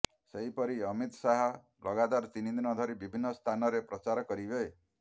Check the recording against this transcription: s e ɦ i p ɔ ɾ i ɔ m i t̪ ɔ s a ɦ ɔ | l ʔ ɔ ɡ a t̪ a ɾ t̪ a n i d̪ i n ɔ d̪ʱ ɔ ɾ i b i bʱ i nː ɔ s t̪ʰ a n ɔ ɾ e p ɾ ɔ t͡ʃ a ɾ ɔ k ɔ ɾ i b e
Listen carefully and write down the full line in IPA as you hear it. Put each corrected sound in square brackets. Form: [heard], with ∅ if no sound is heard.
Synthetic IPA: s e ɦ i p ɔ ɾ i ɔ m i t̪ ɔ s a ɦ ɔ | l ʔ ɔ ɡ a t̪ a ɾ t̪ [i] n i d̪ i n ɔ d̪ʱ ɔ ɾ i b i bʱ i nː ɔ s t̪ʰ a n ɔ ɾ e p ɾ ɔ t͡ʃ a ɾ ɔ k ɔ ɾ i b e